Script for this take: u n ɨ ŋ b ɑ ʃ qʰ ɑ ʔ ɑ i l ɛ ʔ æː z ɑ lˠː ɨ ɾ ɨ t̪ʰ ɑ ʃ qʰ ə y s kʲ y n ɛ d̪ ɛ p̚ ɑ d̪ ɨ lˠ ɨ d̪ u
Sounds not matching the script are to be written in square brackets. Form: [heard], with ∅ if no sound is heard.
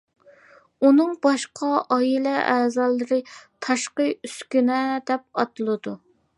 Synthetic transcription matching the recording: u n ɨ ŋ b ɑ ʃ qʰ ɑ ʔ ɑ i l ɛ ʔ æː z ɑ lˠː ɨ ɾ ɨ t̪ʰ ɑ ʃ [q] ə y s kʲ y n ɛ d̪ ɛ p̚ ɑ [t̪] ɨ lˠ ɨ d̪ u